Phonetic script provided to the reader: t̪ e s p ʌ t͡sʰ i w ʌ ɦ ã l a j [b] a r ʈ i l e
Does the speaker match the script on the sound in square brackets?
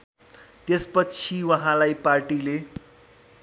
no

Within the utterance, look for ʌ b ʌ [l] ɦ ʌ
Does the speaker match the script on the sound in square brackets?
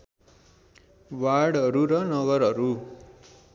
no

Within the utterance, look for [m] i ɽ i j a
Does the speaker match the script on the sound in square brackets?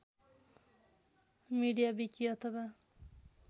yes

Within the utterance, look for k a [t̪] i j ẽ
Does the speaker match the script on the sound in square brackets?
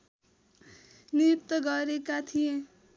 no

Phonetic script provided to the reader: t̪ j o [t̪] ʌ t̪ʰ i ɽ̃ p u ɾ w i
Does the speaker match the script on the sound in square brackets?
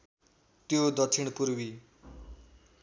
no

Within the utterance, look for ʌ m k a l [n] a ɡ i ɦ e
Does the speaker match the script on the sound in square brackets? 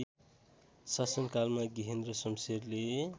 no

